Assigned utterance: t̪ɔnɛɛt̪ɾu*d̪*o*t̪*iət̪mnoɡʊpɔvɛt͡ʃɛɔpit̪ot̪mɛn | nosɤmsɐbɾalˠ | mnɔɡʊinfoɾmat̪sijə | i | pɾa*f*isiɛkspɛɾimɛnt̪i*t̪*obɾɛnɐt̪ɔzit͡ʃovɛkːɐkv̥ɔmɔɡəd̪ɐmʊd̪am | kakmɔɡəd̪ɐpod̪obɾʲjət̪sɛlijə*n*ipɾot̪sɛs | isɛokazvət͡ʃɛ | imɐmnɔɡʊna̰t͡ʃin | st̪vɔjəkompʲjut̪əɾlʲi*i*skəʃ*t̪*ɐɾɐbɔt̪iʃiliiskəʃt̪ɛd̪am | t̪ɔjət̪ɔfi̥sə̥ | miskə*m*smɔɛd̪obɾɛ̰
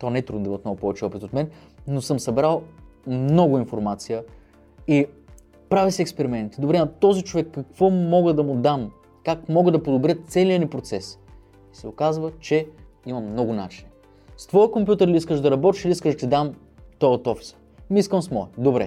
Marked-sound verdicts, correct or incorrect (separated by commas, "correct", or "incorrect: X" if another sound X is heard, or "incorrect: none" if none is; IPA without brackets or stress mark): correct, incorrect: d̪, incorrect: v, incorrect: d̪, correct, correct, incorrect: d̪, correct